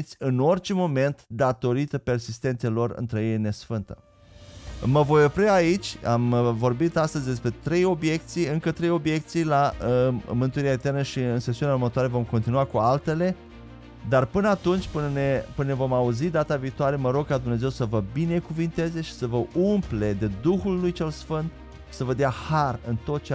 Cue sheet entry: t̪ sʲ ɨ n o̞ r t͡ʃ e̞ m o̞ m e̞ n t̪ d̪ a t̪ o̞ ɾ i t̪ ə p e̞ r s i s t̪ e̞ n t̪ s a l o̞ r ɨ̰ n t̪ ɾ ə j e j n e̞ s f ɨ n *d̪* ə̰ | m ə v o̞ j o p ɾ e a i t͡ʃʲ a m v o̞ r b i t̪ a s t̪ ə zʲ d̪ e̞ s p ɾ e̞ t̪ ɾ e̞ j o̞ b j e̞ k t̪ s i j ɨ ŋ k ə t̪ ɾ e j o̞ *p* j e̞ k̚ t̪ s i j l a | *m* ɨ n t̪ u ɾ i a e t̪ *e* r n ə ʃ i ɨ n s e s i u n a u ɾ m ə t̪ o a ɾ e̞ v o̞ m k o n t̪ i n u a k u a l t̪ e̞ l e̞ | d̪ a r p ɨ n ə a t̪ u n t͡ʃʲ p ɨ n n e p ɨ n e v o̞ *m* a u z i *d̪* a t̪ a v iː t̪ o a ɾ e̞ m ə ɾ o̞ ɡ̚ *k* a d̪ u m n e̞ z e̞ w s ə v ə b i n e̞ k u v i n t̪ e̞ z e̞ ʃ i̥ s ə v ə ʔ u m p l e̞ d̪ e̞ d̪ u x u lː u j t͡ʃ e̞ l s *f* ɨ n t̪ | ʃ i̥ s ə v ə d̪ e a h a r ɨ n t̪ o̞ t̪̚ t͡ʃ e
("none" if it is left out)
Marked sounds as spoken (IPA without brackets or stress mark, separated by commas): t̪, b, m, e, m, d̪, k, f